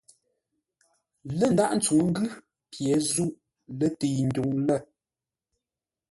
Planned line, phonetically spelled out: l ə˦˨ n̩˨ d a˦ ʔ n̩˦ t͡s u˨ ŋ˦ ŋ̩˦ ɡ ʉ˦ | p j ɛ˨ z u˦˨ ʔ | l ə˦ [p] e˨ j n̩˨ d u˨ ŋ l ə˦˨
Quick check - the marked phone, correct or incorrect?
incorrect